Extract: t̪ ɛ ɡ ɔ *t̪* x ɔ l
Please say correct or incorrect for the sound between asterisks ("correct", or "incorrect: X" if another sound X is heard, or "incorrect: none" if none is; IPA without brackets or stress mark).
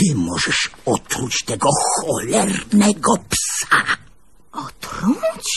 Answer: incorrect: none